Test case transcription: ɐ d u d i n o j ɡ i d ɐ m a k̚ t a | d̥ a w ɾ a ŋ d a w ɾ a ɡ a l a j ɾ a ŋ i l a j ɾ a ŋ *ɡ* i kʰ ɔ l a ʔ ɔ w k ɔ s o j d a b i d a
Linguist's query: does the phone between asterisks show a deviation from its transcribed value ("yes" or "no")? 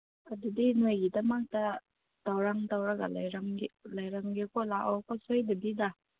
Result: no